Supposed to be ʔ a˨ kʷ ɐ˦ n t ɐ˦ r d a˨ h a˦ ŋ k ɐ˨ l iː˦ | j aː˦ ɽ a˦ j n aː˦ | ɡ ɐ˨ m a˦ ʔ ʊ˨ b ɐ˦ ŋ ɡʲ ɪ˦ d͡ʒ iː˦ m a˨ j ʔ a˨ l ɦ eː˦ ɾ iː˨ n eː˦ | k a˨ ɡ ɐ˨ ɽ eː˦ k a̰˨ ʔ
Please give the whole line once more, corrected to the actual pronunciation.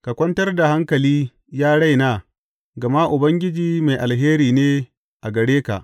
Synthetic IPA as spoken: k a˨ kʷ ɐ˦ n t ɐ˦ r d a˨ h a˦ ŋ k ɐ˨ l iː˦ | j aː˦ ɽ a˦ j n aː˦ | ɡ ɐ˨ m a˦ ʔ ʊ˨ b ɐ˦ ŋ ɡʲ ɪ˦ d͡ʒ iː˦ m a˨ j ʔ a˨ l ɦ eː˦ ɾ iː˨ n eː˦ | ʔ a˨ ɡ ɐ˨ ɽ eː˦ k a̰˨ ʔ